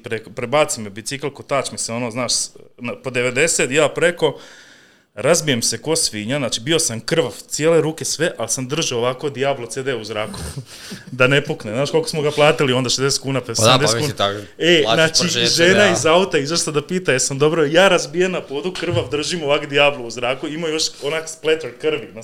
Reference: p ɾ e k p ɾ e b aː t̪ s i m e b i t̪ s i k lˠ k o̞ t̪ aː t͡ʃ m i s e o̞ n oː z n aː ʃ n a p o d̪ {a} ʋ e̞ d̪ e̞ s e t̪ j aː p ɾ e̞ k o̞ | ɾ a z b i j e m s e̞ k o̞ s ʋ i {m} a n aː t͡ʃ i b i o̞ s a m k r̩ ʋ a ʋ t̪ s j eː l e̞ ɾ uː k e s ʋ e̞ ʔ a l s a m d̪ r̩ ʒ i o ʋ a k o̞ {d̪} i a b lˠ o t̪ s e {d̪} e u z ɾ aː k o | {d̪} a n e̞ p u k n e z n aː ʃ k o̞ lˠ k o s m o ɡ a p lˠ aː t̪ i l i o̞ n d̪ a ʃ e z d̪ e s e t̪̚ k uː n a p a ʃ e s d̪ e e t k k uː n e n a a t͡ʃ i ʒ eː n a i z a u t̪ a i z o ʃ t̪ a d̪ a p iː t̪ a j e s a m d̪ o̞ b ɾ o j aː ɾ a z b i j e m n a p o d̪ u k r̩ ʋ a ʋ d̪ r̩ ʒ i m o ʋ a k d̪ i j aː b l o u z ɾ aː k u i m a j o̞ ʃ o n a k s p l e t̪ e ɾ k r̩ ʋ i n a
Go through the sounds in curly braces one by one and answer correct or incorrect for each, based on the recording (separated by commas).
incorrect, incorrect, correct, correct, correct